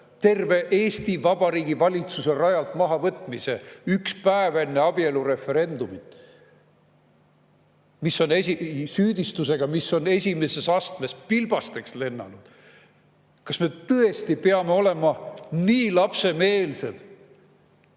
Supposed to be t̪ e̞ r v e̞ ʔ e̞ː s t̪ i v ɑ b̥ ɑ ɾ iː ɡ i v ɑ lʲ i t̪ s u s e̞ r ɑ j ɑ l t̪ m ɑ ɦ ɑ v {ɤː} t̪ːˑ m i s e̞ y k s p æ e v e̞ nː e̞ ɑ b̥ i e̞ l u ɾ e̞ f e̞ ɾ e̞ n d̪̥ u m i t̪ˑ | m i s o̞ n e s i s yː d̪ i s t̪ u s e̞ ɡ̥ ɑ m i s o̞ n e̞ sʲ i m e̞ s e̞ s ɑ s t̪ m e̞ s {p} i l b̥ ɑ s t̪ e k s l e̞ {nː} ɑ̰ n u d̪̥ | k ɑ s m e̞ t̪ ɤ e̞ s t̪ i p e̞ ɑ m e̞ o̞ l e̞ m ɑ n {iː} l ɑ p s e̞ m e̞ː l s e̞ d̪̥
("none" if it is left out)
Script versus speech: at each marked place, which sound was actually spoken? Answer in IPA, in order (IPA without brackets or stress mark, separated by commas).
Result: ɤ, p, nː, iː